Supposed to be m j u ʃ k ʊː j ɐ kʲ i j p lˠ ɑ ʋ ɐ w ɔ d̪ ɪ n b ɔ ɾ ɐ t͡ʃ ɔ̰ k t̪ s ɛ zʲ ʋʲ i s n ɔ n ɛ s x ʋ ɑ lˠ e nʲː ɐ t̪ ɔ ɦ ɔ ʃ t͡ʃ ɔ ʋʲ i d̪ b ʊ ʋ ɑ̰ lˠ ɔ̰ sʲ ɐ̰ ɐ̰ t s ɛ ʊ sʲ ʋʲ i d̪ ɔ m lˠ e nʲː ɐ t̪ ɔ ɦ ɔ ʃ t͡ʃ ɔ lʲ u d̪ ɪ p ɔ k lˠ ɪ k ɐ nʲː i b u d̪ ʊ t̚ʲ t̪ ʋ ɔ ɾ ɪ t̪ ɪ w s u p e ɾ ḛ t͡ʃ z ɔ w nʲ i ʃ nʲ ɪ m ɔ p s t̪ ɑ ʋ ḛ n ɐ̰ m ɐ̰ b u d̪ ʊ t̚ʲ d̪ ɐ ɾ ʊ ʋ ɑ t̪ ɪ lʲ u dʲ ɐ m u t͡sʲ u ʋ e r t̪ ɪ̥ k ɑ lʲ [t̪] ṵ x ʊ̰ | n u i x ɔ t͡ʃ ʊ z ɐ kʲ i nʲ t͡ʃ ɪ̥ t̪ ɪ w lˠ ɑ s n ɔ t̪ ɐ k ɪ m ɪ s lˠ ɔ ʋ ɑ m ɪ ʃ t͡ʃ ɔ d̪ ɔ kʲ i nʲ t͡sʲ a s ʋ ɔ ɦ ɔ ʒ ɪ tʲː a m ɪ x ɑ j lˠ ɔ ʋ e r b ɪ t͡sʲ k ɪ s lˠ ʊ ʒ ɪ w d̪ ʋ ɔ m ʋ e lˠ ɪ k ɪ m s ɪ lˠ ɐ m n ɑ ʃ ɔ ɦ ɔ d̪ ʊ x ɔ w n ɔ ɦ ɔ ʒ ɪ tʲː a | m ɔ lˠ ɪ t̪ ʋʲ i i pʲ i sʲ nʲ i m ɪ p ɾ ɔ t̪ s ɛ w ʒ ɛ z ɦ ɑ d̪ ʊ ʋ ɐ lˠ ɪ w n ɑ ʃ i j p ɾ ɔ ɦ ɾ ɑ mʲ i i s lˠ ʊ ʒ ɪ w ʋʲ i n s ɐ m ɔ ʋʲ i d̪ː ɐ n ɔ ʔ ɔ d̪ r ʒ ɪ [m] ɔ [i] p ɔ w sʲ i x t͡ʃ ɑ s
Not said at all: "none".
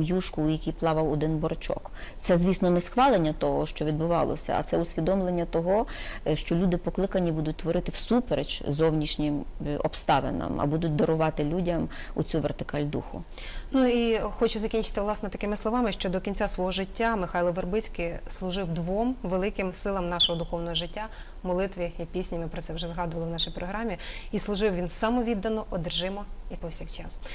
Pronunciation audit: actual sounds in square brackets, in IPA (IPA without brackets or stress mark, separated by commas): d̪, m, i